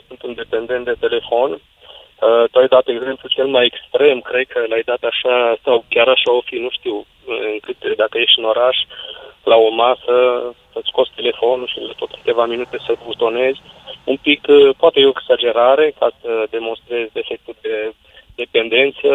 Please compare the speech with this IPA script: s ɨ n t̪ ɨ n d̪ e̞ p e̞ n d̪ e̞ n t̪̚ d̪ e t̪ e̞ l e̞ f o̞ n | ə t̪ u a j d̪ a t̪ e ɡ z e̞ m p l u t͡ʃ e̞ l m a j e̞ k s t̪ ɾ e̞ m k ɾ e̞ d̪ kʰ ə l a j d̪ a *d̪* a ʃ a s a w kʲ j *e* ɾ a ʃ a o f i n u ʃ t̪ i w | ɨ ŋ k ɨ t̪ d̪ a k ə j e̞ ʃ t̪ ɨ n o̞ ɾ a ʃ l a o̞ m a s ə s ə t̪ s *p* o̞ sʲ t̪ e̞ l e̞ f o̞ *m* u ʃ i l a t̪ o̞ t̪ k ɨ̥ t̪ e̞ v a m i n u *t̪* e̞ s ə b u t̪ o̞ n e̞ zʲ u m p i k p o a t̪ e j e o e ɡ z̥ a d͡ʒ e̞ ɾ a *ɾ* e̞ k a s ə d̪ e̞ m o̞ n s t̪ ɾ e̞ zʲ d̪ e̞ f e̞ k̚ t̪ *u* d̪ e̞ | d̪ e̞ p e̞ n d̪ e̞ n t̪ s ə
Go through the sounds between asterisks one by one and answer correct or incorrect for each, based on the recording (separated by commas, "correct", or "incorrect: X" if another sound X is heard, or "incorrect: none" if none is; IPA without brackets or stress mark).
incorrect: t̪, incorrect: a, incorrect: k, incorrect: n, correct, correct, correct